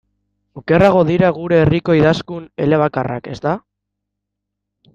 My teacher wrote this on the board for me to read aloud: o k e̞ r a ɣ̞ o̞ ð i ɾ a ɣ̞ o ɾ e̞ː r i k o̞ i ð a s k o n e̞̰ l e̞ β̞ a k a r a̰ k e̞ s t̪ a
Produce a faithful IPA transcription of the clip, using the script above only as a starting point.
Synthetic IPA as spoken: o k e̞ r a ɣ̞ o̞ ð i ɾ a ɣ̞ u ɾ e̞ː r i k o̞ i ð a s k u n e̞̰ l e̞ β̞ a k a r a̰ k e̞ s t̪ a